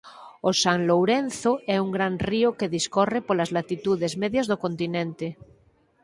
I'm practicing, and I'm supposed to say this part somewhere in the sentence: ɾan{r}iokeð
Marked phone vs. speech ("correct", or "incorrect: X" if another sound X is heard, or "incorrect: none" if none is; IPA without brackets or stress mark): correct